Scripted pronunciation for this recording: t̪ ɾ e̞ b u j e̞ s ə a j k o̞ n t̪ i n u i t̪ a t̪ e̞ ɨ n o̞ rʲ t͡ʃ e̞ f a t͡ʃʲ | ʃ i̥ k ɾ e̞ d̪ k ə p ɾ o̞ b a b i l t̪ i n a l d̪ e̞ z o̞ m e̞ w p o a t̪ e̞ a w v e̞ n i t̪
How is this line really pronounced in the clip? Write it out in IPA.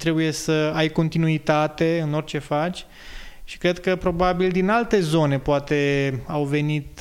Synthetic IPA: t̪ ɾ e̞ b u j e̞ s ə a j k o̞ n t̪ i n u i t̪ a t̪ e̞ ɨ n o̞ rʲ t͡ʃ e̞ f a t͡ʃʲ | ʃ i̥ k ɾ e̞ d̪ k ə p ɾ o̞ b a b i l d̪ i n a l t̪ e̞ z o̞ n e̞ p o a t̪ e̞ a w v e̞ n i t̪